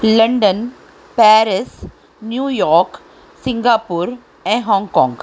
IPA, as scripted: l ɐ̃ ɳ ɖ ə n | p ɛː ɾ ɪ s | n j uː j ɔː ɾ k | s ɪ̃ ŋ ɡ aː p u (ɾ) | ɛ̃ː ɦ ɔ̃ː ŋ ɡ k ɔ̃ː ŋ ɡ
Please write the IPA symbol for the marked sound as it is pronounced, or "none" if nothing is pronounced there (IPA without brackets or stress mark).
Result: ɾ